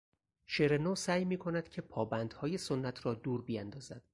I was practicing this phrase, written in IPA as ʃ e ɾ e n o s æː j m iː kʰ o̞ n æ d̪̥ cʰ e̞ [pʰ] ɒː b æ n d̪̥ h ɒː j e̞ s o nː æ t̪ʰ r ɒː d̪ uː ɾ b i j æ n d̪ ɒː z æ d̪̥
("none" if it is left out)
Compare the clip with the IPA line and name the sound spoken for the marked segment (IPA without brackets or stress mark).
pʰ